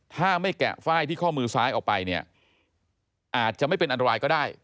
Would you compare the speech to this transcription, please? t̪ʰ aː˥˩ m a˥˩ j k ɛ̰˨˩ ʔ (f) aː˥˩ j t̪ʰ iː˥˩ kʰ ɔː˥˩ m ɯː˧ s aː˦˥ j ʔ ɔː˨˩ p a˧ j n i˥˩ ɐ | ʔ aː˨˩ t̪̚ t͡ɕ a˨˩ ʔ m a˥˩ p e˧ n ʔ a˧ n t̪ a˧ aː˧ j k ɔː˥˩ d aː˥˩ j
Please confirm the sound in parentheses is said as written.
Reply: yes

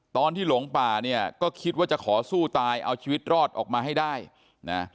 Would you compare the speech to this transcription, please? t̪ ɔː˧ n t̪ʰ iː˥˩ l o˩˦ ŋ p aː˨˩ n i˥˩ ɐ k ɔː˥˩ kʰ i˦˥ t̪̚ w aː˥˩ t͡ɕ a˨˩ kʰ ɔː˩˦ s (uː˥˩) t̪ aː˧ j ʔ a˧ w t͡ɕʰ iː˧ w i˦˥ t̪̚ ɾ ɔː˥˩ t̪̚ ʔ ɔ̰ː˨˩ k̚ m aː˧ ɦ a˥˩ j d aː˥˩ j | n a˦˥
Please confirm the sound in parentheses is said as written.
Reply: yes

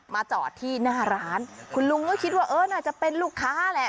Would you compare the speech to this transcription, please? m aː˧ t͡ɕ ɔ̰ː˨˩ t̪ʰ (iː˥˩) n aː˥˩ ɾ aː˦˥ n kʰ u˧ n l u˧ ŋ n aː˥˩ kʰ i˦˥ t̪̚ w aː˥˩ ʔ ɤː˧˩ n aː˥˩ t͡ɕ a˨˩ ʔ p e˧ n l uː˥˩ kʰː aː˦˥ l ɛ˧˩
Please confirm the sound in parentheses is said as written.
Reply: yes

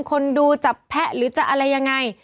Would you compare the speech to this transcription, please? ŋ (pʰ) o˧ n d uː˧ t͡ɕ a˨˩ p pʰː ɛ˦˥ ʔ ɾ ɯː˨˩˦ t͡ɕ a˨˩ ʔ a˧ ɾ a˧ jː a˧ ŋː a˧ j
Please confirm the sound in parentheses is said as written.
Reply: no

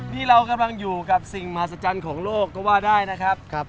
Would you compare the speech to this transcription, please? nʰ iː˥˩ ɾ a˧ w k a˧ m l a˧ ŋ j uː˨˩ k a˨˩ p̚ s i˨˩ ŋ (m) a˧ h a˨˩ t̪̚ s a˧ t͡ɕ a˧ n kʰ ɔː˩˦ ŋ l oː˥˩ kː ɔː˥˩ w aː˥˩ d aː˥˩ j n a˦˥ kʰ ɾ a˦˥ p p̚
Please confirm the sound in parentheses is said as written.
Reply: yes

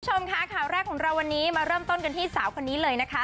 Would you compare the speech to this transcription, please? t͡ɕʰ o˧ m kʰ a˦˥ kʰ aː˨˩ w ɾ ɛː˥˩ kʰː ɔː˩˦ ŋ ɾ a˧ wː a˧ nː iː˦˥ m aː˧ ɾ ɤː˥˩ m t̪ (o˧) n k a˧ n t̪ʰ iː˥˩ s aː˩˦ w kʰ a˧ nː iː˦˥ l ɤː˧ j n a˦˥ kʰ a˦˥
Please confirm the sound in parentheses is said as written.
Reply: no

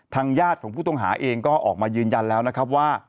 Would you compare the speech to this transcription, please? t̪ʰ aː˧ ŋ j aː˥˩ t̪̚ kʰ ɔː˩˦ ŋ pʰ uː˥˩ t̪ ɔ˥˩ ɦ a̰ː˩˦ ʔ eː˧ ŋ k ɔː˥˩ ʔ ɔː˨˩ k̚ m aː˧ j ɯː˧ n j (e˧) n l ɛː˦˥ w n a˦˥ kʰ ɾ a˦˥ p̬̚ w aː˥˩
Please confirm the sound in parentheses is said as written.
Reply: no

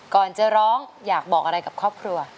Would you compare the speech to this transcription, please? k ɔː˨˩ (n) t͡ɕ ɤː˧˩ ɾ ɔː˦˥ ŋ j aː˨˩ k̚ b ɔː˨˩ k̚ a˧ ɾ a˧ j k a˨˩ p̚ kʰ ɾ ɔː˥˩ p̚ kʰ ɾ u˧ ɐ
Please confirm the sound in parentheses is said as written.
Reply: yes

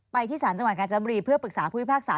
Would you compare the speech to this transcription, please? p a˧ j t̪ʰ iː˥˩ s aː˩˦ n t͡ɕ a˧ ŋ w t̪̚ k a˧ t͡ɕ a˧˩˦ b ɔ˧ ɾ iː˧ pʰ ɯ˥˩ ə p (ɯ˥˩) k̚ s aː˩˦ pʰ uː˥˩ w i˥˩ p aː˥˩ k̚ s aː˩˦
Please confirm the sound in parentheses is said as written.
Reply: no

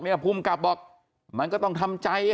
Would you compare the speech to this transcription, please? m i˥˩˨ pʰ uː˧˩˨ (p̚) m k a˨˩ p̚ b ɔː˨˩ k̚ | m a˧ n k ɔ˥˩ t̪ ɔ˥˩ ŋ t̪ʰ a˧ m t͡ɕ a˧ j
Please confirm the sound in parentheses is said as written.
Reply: no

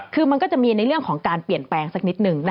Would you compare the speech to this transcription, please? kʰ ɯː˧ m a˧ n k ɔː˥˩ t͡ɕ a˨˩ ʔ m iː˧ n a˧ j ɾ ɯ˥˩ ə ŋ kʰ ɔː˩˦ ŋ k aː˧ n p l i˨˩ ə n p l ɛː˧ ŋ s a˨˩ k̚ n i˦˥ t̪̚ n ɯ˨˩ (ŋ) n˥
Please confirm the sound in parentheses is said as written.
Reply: yes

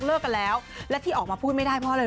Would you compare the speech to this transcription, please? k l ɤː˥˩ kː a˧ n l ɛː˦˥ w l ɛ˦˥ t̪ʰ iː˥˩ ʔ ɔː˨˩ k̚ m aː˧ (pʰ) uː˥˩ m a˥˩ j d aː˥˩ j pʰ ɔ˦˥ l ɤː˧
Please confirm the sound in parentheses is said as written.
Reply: yes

